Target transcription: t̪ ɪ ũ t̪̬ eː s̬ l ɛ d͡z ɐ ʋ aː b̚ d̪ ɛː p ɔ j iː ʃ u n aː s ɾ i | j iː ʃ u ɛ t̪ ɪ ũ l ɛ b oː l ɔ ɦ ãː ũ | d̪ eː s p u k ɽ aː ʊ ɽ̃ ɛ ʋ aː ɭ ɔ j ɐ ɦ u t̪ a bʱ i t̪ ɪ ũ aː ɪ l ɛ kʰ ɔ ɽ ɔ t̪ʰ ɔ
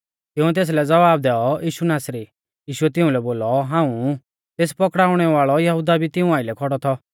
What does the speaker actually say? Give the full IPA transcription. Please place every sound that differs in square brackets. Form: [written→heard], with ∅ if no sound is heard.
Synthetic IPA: t̪ ɪ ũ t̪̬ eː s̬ l ɛ d͡z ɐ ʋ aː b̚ d̪ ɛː [p→∅] ɔ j iː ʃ u n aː s ɾ i | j iː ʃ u ɛ t̪ ɪ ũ l ɛ b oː l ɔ ɦ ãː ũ | [d̪→t̪] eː s p [u→ɔ] k ɽ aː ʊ ɽ̃ ɛ ʋ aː ɭ ɔ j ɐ ɦ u [t̪→d̪] a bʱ i t̪ ɪ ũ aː ɪ l ɛ kʰ ɔ ɽ ɔ t̪ʰ ɔ